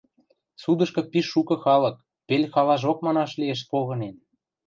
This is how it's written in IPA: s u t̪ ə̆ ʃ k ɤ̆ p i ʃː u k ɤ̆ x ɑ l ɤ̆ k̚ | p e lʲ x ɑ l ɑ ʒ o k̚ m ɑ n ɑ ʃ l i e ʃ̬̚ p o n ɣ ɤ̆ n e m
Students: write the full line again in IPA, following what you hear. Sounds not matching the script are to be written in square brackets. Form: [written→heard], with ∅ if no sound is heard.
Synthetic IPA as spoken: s u [t̪→d̪] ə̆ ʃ k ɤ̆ p i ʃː u k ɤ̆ x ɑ l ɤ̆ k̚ | p e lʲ x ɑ l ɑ ʒ o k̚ m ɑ n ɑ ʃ l i e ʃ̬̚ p o [n→∅] ɣ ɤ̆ n e [m→n]